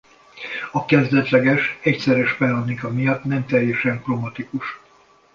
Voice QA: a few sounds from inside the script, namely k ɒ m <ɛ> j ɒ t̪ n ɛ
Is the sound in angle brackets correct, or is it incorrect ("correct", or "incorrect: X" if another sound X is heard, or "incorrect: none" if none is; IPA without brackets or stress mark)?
incorrect: i